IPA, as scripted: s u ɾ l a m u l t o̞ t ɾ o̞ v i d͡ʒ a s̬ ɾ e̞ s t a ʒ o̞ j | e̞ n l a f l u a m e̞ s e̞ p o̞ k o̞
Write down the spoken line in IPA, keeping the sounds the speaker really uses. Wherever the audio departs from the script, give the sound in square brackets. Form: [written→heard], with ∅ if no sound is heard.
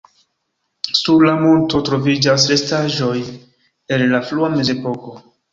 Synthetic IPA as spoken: s u ɾ l a m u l t o̞ t ɾ o̞ v i d͡ʒ a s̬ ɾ e̞ s t a ʒ o̞ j | e̞ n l a f l u a m e̞ [s→z] e̞ p o̞ k o̞